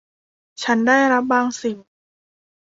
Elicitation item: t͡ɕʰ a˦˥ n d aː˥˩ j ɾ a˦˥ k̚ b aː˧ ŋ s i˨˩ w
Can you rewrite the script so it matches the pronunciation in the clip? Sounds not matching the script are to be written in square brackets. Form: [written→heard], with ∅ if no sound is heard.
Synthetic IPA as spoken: t͡ɕʰ a˦˥ n d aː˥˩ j ɾ a˦˥ [k̚→p̚] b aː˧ ŋ s i˨˩ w